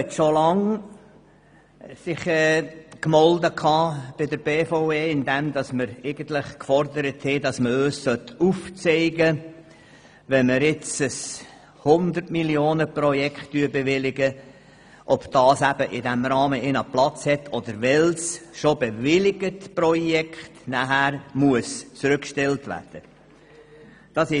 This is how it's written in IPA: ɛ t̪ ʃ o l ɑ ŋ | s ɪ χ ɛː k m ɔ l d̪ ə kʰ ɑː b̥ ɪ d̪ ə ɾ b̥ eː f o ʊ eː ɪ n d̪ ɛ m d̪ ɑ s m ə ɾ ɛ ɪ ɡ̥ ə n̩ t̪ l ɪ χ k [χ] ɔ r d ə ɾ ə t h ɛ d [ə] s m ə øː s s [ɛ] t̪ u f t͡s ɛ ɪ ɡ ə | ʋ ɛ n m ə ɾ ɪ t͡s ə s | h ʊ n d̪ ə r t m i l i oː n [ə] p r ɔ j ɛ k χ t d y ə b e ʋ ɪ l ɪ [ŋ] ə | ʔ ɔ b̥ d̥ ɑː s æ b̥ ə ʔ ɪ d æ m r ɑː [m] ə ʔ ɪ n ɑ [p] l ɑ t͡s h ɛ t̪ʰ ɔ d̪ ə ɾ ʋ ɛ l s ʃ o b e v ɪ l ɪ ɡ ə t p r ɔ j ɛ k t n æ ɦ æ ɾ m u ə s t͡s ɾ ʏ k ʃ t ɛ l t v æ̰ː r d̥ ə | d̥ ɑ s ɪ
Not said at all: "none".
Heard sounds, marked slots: f, ɑ, œ, ə, ɡ, m, p

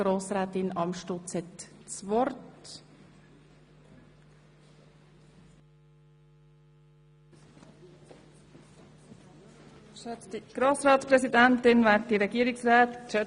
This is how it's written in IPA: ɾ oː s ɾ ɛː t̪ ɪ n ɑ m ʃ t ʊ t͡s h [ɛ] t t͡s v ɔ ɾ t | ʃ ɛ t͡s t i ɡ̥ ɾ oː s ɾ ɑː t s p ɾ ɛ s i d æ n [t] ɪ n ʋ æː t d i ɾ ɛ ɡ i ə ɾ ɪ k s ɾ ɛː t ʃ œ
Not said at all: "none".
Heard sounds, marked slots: ɛ, t

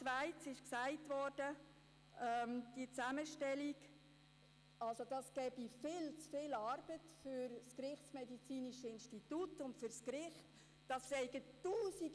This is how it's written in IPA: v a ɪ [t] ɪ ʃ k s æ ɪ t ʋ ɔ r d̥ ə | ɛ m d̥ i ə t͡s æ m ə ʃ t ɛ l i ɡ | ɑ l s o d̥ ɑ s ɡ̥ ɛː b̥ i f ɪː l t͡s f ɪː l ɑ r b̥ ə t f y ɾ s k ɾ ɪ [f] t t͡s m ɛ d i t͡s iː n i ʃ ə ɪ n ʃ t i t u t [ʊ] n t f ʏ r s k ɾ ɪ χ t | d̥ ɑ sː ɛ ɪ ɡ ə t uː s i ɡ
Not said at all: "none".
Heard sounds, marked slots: t͡s, χ, ʊ

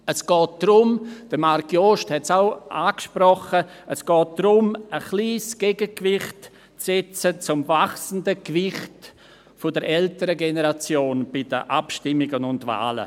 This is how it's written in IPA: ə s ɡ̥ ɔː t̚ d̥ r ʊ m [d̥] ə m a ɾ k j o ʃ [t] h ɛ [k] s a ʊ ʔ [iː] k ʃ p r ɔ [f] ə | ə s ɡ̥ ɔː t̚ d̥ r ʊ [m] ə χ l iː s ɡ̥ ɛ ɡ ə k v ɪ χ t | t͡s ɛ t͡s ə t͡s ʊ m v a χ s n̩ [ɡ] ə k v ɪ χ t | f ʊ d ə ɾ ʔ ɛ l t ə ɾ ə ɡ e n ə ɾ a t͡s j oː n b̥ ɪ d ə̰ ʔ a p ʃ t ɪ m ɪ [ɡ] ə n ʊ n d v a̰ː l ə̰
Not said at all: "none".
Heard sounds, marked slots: d̥, t, t, aː, χ, m, d, ɡ

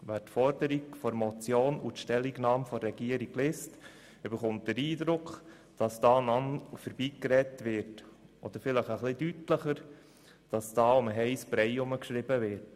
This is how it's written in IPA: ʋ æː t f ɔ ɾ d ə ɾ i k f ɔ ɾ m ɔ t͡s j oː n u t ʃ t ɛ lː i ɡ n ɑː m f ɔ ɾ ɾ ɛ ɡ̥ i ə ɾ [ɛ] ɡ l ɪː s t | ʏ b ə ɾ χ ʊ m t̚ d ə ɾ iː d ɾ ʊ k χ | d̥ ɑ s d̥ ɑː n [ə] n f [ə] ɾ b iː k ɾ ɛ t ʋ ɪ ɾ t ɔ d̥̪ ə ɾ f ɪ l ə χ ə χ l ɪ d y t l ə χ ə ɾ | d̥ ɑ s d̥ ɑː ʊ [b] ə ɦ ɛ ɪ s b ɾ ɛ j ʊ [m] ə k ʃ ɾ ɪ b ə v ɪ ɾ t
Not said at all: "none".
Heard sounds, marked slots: i, ɑ, ə, m, m

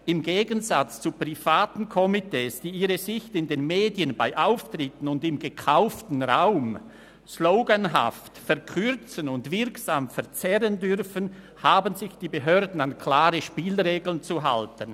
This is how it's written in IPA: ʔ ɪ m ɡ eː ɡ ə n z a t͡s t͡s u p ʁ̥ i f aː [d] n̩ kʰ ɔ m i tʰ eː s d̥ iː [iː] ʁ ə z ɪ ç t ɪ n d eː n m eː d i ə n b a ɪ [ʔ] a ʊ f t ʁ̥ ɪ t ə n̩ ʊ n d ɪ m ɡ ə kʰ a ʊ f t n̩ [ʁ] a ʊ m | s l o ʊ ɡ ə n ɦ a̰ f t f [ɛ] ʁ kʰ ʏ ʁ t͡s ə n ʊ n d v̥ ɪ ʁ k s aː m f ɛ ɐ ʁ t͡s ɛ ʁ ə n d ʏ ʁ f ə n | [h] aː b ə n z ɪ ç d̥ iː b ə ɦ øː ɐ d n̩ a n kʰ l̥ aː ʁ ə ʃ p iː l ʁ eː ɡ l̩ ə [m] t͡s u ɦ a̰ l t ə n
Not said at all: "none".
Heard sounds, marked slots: t, iː, ʔ, ʁ, ɛ, h, n

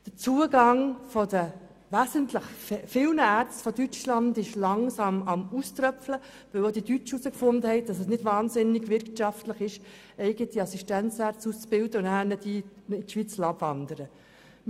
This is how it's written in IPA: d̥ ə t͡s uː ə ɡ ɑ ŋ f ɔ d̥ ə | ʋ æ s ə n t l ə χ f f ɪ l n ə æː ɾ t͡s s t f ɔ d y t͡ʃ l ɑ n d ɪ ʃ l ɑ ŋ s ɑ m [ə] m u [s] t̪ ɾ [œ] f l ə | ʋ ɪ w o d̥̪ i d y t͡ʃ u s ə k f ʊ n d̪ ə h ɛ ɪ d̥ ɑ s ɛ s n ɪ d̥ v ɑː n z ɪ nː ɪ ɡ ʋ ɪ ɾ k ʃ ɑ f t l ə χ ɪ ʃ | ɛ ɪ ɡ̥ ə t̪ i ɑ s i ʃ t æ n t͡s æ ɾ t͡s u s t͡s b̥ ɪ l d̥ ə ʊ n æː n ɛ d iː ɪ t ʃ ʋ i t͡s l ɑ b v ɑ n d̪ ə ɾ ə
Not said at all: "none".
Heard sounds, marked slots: ɑ, s, œ

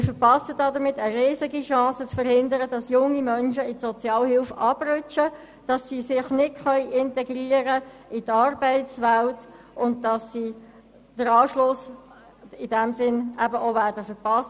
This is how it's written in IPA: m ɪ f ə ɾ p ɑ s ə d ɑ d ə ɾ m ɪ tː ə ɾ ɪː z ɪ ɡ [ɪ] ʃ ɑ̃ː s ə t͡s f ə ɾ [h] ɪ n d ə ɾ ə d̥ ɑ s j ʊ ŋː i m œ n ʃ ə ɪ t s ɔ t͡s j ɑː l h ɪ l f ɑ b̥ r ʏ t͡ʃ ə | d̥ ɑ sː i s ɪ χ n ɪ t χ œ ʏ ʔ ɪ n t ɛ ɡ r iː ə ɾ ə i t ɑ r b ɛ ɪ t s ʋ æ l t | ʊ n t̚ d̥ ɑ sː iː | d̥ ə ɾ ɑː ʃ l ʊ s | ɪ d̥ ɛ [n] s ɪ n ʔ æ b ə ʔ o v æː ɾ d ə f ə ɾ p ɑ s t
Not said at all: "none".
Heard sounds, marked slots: i, h, m

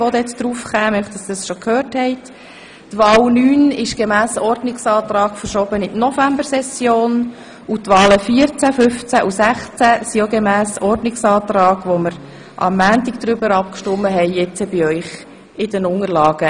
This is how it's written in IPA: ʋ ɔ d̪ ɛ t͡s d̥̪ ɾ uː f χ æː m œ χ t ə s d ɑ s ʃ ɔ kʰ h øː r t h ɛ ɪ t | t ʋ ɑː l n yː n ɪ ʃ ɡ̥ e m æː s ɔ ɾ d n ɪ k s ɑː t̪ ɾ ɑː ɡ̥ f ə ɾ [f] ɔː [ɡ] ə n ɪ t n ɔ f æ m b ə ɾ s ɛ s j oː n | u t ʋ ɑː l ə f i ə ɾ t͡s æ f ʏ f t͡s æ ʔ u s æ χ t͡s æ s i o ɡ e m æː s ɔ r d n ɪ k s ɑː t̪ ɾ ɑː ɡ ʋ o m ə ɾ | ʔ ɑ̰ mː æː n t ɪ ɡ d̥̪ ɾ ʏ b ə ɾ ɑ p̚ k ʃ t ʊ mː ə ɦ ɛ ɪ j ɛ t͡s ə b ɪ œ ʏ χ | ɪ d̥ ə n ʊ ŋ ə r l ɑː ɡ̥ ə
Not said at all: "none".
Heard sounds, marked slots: ʃ, b

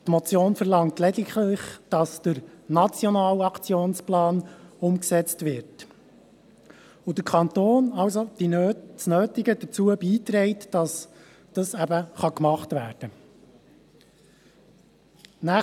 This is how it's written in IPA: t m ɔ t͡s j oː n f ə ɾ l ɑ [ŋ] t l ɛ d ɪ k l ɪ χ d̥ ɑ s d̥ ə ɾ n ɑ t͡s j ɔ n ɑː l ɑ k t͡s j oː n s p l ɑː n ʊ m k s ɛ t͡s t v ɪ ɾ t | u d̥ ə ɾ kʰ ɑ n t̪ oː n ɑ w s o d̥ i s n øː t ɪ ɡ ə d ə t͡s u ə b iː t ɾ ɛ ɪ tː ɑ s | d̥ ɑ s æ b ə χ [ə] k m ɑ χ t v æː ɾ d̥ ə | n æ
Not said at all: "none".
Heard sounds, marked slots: ŋ, ɑ

